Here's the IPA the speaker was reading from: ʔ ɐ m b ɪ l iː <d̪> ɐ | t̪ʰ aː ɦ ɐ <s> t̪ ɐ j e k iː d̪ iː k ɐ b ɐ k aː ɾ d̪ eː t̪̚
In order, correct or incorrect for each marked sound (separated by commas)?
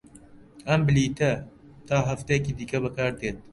incorrect, incorrect